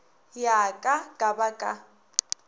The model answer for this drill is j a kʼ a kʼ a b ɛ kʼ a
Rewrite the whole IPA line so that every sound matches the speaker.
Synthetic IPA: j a kʼ a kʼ a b a kʼ a

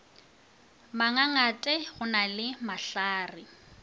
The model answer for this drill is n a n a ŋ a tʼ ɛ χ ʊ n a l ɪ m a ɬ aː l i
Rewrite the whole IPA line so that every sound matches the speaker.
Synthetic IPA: m a ŋ a ŋ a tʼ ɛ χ ʊ n a l ɪ m a ɬ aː r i

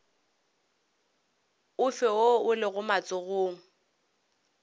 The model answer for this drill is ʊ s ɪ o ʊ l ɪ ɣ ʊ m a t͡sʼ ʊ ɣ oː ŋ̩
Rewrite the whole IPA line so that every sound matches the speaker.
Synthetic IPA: ʊ f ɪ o ʊ l ɪ ɣ ʊ m a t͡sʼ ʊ ɣ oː ŋ̩

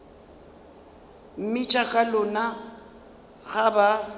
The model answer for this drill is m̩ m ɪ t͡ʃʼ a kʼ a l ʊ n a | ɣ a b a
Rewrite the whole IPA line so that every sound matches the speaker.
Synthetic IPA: m̩ m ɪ t͡ʃʼ a kʼ a l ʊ n a | ɣ a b a

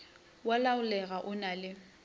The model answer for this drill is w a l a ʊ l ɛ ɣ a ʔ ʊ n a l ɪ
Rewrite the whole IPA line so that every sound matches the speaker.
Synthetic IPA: w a l a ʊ l ɛ ɣ a ʔ ʊ n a l ɪ

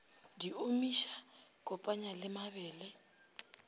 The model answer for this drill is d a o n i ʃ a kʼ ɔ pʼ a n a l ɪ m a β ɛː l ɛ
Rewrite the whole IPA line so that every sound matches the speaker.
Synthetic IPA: d i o m i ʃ a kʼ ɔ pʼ a ɲ a l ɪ m a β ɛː l ɛ

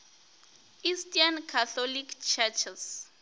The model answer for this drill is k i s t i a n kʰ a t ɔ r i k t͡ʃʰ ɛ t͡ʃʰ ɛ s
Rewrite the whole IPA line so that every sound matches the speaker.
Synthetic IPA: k i s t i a n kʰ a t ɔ l i k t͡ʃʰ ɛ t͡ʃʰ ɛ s

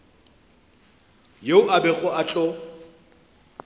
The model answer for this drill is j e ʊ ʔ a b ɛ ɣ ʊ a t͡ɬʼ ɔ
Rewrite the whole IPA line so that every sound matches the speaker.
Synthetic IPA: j e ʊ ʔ a b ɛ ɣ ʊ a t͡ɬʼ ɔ

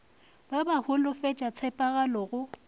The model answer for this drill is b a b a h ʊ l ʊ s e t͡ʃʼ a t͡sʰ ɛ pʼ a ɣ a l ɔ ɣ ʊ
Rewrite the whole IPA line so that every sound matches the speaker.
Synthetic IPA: b a b a h ʊ l ʊ f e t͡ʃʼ a t͡sʰ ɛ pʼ a ɣ a l ɔ ɣ ʊ

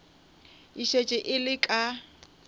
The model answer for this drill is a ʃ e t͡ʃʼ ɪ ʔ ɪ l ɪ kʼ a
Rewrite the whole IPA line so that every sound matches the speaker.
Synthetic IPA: i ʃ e t͡ʃʼ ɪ ʔ ɪ l ɪ kʼ a

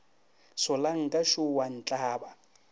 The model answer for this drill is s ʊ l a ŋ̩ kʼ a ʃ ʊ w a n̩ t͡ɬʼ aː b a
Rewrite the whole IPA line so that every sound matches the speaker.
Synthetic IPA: s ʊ l a ŋ̩ kʼ a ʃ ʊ w a n̩ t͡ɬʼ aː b a

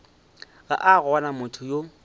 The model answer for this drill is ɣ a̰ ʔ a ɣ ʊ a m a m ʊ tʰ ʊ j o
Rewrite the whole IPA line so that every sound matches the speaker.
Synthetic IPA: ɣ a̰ ʔ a ɣ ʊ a n a m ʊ tʰ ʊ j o

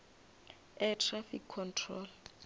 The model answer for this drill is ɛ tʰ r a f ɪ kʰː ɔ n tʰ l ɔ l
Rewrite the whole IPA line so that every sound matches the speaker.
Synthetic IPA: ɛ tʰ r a f i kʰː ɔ n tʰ r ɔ l

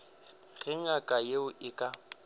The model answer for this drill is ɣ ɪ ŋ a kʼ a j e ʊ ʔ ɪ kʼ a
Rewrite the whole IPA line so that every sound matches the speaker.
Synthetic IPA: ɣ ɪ ŋ a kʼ a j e ʊ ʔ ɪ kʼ a

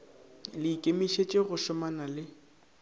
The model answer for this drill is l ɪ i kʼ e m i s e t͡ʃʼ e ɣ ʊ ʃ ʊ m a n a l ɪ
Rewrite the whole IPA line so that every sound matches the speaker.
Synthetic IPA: l ɪ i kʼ e m i ʃ e t͡ʃʼ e ɣ ʊ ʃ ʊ m a n a l ɪ

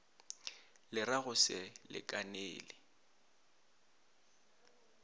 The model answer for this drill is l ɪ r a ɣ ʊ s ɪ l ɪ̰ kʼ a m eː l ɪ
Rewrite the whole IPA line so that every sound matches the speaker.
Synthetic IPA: l ɪ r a ɣ ʊ s ɪ l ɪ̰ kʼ a n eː l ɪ

